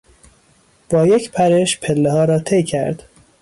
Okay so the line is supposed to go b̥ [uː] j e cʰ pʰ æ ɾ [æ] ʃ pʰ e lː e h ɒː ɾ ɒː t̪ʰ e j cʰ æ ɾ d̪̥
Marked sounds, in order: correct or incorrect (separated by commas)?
incorrect, incorrect